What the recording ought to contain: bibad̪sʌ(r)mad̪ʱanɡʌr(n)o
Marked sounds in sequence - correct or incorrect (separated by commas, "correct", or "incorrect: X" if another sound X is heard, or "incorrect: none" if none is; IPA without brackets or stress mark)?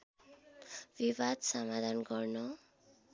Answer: incorrect: none, correct